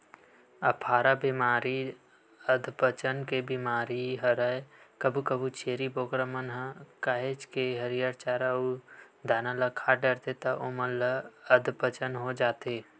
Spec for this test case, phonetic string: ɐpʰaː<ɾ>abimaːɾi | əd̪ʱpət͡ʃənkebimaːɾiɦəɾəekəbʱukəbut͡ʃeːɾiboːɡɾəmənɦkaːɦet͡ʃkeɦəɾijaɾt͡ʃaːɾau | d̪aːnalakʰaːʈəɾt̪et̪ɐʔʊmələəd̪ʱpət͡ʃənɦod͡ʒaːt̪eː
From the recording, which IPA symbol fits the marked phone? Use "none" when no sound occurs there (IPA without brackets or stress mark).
ɾ